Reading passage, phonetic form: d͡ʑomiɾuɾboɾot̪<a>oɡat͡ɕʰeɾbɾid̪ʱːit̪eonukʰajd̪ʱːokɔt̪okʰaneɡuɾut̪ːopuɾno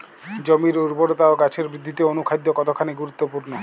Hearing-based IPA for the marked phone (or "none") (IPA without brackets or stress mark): a